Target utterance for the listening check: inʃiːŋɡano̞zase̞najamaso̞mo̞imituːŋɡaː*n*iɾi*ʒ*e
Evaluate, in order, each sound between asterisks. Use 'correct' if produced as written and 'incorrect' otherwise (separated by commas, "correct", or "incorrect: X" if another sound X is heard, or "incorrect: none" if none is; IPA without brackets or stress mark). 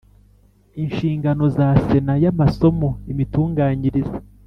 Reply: incorrect: ɲ, incorrect: z